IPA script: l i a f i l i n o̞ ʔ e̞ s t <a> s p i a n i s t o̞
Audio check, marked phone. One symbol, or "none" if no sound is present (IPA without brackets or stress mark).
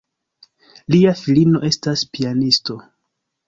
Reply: a